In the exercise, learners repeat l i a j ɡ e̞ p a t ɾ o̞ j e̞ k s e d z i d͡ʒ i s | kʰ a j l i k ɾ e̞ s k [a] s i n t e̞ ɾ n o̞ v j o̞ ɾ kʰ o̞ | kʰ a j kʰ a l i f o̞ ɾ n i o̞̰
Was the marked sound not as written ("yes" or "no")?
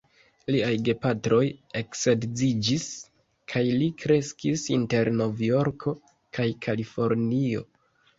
yes